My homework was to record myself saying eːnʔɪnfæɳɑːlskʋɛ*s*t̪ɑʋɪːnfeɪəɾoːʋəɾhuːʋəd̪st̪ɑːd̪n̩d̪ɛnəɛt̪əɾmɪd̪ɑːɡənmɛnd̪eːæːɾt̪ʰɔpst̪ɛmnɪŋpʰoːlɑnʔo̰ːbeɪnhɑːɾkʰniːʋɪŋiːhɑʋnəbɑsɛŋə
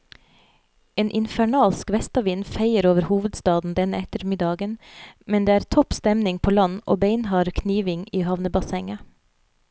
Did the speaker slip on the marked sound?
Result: no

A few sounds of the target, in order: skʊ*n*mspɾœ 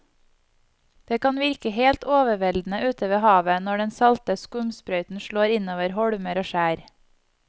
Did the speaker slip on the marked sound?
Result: yes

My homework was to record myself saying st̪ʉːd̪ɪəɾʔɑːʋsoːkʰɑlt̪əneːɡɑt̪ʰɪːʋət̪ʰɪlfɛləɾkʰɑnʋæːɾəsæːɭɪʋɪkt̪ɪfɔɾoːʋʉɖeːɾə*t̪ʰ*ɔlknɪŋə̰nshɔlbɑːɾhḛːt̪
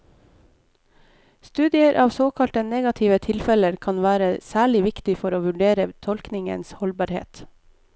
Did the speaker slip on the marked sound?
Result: no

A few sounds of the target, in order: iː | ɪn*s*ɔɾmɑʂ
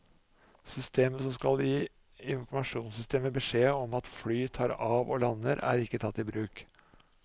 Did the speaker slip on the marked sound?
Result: yes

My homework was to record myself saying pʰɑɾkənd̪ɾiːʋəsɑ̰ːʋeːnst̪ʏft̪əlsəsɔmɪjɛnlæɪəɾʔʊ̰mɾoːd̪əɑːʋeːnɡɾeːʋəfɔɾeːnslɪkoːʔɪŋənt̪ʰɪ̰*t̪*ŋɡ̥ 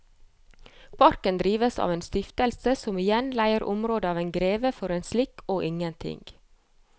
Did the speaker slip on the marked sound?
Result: yes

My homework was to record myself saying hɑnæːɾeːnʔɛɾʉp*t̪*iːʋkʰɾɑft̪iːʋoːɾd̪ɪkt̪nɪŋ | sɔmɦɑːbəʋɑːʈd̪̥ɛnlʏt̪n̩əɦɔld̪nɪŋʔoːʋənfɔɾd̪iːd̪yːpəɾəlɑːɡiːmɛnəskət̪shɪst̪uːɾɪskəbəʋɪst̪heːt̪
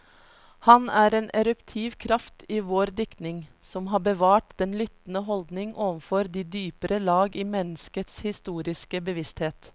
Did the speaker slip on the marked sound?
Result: yes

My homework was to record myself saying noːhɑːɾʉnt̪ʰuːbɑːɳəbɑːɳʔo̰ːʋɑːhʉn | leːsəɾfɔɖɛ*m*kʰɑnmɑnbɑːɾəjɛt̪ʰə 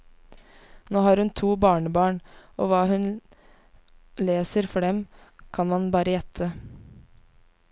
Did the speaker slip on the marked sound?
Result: no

